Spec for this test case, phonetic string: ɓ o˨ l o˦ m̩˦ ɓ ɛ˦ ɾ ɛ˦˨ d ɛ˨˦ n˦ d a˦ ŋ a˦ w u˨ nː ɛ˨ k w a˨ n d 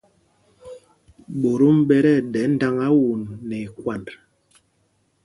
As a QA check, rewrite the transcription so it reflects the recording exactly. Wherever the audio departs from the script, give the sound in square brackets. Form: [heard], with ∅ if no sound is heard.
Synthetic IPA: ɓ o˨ [ɾ] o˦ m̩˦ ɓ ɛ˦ ɾ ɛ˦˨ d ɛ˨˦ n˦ d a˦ ŋ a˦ w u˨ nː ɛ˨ k w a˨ n d